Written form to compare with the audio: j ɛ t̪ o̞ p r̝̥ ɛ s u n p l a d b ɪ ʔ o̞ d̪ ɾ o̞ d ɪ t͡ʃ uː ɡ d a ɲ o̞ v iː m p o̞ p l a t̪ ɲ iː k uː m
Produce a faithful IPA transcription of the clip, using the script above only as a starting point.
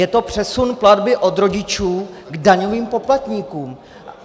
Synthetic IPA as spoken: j ɛ t̪ o̞ p r̝̥ ɛ s u n p l a d b ɪ ʔ o̞ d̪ ɾ o̞ ɟ ɪ t͡ʃ uː ɡ d a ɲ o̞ v iː m p o̞ p l a t̪ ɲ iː k uː m